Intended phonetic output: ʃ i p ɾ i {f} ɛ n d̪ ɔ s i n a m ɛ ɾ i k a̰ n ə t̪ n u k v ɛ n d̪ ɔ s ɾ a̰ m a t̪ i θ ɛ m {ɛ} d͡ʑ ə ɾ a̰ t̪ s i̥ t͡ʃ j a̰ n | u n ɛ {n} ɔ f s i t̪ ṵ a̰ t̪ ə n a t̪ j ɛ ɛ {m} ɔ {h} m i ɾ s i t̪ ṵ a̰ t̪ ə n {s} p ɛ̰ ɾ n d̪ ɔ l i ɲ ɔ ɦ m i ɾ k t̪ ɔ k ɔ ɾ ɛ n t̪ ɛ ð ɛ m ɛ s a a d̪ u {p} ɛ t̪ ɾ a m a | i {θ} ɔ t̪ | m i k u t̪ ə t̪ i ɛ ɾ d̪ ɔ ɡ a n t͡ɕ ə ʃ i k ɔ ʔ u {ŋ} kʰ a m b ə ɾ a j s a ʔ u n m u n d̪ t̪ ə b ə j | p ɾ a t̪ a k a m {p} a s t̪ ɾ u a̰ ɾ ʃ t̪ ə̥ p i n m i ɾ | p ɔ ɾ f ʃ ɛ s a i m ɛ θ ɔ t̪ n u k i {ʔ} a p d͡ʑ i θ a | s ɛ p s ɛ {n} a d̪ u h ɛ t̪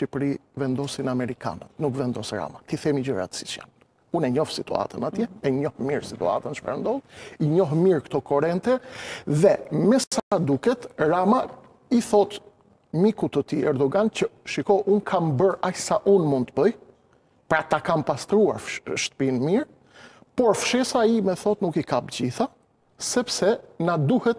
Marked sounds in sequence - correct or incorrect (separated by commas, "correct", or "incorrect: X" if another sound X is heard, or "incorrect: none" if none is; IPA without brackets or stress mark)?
incorrect: v, incorrect: i, incorrect: ɲ, incorrect: ɲ, correct, incorrect: ʃ, incorrect: k, correct, incorrect: n, correct, incorrect: k, correct